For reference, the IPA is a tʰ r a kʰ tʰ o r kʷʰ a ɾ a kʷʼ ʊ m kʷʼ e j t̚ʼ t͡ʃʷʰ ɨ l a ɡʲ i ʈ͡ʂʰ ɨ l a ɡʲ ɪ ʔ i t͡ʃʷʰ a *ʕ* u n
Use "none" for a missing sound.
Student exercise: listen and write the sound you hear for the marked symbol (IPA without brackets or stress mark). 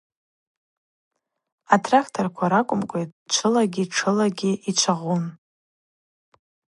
ʁ